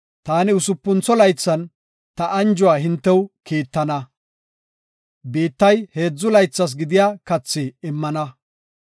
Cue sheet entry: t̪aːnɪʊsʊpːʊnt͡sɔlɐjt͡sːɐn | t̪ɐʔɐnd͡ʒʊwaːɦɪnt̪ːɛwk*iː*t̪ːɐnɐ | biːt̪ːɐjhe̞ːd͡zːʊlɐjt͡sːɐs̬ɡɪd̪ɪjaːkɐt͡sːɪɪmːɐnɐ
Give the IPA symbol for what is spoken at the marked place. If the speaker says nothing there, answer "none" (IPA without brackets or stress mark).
iː